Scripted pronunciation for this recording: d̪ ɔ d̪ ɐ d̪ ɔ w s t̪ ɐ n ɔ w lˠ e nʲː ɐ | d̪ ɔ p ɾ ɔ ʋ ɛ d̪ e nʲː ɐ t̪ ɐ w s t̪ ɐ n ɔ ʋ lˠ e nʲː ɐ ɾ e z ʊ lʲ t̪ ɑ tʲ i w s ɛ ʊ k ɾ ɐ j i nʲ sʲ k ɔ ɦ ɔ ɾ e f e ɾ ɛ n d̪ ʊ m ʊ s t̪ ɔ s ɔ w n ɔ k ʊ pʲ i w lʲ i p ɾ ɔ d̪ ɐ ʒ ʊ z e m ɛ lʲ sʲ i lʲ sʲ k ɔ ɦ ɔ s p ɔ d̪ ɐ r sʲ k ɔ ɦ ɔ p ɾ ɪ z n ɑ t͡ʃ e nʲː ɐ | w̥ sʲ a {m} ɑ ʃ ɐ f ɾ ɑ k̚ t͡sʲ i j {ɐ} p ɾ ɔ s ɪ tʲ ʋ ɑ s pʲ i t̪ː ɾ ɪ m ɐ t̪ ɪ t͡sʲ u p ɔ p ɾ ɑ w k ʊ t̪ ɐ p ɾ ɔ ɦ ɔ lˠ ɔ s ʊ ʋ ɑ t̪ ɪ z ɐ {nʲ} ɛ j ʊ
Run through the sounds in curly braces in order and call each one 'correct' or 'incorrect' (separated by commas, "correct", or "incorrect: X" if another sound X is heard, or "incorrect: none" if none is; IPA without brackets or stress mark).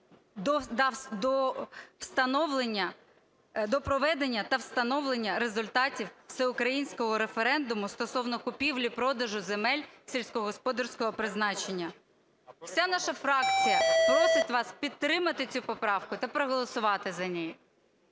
incorrect: n, correct, correct